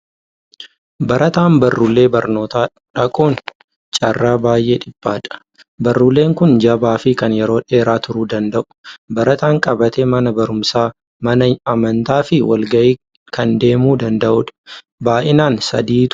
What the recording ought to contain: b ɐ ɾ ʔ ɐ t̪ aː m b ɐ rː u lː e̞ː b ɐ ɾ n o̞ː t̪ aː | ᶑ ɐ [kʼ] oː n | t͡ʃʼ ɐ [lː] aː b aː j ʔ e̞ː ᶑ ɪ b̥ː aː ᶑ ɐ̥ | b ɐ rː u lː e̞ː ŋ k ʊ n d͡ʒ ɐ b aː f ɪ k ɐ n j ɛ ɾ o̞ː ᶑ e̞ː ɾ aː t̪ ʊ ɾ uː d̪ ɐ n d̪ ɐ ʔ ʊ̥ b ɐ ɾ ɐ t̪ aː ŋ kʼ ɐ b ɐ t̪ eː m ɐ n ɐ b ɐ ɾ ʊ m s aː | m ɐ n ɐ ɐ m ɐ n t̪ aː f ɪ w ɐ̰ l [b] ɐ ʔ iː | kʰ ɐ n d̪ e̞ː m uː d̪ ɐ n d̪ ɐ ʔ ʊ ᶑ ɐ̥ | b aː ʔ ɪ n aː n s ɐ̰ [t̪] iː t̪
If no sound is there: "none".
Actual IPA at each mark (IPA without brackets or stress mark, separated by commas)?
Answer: kʼ, rː, ɡ, d̪